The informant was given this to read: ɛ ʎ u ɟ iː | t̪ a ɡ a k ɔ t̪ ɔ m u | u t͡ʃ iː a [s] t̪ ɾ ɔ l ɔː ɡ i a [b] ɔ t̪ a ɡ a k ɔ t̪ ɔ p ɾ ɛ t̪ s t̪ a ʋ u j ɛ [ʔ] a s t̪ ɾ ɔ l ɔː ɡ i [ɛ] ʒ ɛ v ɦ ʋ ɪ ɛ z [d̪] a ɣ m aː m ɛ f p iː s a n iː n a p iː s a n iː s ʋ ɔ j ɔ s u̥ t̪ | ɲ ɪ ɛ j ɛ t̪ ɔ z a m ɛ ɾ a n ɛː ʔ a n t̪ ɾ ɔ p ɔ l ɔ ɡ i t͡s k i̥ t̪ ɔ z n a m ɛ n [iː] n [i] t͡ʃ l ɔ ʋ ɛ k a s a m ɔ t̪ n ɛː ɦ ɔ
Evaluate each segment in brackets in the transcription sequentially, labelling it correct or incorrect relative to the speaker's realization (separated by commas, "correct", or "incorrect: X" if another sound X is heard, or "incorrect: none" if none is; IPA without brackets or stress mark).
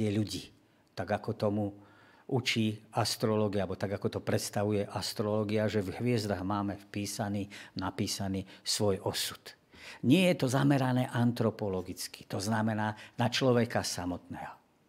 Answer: correct, correct, correct, incorrect: a, correct, incorrect: aː, incorrect: a